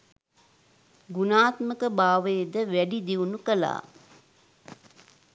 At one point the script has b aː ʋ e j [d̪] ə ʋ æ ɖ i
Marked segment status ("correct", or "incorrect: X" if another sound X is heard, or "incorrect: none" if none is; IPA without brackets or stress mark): correct